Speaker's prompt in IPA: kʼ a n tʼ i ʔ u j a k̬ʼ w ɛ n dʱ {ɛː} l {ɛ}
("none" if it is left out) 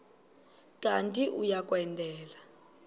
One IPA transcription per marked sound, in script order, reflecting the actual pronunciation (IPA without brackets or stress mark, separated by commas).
ɛː, a